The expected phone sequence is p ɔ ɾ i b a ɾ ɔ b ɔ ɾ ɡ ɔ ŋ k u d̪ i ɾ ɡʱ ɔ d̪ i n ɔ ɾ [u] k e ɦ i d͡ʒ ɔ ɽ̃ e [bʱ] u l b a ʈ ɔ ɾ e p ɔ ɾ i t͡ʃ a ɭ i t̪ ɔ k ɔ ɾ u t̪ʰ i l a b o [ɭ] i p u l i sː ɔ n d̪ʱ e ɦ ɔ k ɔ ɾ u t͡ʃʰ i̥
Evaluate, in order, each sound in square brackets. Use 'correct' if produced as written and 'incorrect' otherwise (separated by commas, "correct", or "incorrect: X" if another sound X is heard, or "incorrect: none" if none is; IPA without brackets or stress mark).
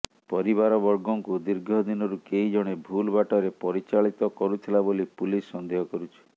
correct, correct, incorrect: l